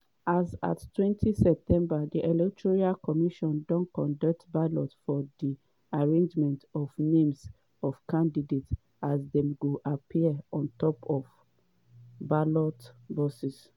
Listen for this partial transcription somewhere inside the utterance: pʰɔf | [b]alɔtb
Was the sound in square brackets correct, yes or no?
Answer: yes